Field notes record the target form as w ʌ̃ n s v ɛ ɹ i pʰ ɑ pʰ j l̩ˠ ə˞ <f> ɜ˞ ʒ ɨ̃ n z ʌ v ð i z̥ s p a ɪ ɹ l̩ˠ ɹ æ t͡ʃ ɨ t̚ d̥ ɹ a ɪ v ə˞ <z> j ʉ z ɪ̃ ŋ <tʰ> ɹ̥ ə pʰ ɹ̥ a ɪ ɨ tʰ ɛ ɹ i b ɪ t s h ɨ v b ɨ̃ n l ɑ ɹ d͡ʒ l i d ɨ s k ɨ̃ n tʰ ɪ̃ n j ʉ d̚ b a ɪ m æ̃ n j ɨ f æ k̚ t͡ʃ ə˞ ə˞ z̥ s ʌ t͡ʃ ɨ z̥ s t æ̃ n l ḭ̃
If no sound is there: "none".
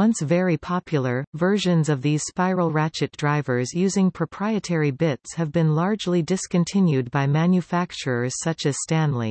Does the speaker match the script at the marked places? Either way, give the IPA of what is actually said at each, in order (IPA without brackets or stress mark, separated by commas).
v, z, pʰ